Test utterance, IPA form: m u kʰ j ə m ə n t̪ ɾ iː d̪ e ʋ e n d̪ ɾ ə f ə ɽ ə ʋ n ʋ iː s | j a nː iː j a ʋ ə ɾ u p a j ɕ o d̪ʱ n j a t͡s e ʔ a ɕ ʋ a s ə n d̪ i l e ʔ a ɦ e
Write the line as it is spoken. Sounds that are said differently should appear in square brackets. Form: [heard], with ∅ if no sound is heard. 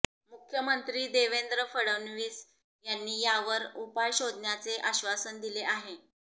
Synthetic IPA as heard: m u kʰ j ə m ə n t̪ ɾ iː d̪ e ʋ e n d̪ ɾ ə f ə ɽ ə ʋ n ʋ iː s | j a nː iː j a ʋ ə ɾ u p a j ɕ o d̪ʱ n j a t͡s e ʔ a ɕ ʋ a s ə n d̪ i l e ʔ a ɦ e